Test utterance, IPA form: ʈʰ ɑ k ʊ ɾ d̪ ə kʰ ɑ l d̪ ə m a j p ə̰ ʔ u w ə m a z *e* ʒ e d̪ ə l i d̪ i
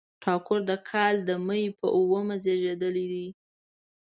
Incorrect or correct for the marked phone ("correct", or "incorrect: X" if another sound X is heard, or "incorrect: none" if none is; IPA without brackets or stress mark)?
correct